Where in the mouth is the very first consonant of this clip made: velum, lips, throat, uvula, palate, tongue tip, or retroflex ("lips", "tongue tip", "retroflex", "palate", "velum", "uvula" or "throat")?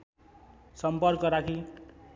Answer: tongue tip